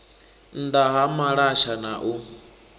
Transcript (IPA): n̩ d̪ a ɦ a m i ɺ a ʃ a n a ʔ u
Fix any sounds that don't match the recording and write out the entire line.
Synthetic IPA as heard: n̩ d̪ a ɦ a m a ɺ a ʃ a n a ʔ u